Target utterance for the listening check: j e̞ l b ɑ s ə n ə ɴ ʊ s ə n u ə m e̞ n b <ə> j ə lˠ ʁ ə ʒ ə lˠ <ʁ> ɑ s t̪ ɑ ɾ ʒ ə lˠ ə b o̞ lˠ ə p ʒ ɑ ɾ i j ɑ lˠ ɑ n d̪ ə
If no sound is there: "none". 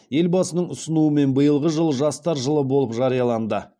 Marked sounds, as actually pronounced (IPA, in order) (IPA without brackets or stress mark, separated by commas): ə, ʒ